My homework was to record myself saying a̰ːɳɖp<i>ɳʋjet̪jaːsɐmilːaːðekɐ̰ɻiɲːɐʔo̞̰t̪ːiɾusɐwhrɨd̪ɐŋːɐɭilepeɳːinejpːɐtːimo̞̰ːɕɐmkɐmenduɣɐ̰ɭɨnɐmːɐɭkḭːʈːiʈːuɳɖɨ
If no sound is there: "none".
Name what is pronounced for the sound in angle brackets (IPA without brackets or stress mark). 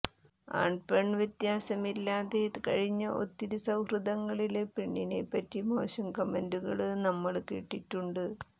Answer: e